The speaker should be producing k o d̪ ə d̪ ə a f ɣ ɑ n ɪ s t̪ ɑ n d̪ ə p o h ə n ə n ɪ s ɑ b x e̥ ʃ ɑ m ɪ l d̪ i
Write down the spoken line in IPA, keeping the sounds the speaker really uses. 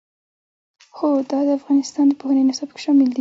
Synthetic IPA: x o d̪ ɑ d̪ ə a f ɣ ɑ n ɪ s t̪ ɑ n d̪ ə p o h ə n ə n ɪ s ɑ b k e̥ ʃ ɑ m ɪ l d̪ i